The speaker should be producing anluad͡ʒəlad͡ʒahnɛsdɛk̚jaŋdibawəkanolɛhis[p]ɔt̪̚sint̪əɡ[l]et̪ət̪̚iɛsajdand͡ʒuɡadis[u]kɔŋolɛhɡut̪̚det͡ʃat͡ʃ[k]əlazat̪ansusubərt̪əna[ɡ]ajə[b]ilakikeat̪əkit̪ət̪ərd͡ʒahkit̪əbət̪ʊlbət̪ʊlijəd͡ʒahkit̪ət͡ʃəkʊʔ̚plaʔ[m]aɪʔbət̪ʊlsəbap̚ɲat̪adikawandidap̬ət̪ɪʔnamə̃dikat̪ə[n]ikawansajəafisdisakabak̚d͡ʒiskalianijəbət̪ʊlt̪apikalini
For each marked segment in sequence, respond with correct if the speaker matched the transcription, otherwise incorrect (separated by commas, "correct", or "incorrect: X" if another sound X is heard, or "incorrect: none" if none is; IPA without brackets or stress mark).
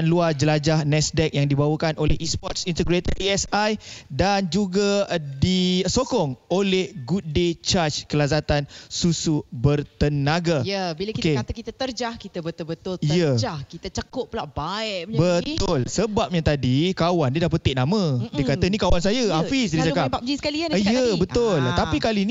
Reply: correct, incorrect: ɾ, incorrect: o, correct, correct, correct, incorrect: b, correct